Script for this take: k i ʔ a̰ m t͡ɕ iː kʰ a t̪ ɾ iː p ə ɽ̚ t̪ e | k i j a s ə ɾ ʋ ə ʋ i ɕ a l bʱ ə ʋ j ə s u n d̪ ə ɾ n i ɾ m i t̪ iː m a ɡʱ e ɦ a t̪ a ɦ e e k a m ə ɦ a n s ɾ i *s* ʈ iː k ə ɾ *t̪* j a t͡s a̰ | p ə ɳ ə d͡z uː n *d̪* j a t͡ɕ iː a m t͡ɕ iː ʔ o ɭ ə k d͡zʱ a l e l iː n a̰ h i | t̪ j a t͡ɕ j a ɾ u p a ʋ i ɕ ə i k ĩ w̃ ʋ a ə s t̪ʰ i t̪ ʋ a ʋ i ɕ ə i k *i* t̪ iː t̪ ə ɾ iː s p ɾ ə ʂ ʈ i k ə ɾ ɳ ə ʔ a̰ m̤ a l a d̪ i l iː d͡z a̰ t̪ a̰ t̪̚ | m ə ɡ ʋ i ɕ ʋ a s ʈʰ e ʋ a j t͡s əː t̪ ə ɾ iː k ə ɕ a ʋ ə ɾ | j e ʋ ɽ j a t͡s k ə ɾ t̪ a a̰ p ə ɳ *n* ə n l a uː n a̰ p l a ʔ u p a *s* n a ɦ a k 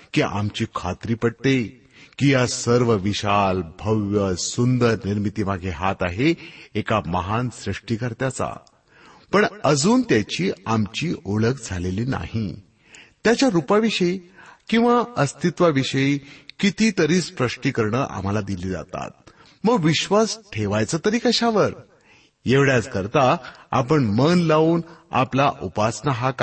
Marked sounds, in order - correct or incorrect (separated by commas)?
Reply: incorrect, correct, incorrect, correct, incorrect, correct